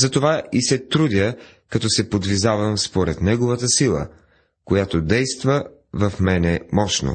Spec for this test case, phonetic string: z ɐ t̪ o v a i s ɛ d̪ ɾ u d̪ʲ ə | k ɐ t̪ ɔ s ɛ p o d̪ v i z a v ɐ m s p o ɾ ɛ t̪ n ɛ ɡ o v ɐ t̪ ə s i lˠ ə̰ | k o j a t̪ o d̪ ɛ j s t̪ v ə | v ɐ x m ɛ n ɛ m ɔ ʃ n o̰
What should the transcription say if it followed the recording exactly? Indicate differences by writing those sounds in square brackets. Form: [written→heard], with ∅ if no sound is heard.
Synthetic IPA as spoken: z ɐ t̪ o v a i s ɛ [d̪→t̪] ɾ u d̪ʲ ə | k ɐ t̪ ɔ s ɛ p o d̪ v i z a v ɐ m s p o ɾ ɛ t̪ n ɛ ɡ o v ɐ t̪ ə s i lˠ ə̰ | k o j a t̪ o d̪ ɛ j s t̪ v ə | v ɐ [x→f] m ɛ n ɛ m ɔ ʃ n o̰